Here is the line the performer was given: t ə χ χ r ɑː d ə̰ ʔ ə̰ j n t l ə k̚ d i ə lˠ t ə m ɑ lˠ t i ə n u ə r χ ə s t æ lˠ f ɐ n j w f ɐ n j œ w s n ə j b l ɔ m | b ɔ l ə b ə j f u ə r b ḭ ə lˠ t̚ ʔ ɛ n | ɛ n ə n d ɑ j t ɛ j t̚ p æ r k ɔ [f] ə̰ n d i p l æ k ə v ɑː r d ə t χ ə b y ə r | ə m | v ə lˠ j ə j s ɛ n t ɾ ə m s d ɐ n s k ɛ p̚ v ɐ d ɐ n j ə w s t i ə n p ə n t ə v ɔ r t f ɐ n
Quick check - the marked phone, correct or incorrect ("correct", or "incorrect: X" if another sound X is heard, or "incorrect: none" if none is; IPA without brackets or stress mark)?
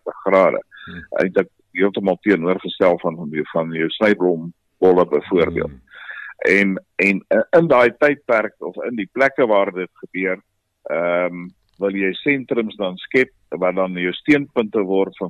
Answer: correct